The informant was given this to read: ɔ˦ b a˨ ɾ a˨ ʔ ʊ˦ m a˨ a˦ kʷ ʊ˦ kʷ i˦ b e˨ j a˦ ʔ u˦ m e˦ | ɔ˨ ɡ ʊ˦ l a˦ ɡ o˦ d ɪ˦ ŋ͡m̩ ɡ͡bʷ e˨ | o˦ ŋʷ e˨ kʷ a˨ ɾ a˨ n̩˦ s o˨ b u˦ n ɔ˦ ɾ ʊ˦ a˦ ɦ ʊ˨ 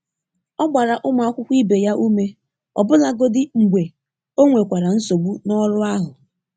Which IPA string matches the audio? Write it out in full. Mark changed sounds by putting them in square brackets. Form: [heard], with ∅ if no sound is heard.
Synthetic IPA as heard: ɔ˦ [ɡ͡b] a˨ ɾ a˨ ʔ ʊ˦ m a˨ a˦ kʷ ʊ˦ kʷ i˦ b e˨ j a˦ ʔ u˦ m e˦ | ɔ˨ [b] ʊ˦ l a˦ ɡ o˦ d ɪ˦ ŋ͡m̩ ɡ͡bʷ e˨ | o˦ ŋʷ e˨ kʷ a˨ ɾ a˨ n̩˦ s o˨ [ɡ͡b] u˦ n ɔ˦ ɾ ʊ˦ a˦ ɦ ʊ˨